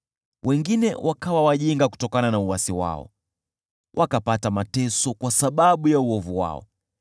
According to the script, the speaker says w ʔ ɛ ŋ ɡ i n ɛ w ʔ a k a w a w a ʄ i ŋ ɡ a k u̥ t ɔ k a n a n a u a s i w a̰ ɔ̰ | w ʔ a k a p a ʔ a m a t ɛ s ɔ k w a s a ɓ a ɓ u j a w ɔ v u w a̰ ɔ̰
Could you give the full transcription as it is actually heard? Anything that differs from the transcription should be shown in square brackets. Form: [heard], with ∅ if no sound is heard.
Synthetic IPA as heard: w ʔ ɛ ŋ ɡ i n ɛ w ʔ a k a w a w a ʄ i ŋ ɡ a k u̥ t ɔ k a n a n a u a s i w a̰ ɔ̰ | w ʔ a k a p a [t] a m a t ɛ s ɔ k w a s a ɓ a ɓ u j a [u] ɔ v u w a̰ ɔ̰